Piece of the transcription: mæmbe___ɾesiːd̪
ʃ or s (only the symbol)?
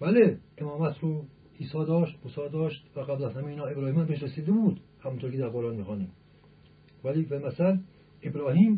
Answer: ʃ